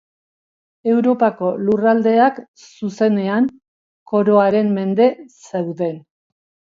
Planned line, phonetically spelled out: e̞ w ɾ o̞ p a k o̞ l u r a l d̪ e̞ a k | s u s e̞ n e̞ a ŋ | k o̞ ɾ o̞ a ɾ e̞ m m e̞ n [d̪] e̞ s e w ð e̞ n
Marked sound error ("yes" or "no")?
no